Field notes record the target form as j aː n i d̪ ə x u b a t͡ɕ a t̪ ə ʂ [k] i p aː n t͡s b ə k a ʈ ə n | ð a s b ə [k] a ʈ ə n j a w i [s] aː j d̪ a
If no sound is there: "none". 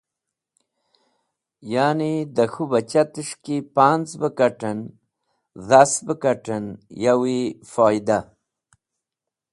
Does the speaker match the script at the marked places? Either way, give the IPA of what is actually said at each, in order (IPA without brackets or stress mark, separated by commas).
k, k, f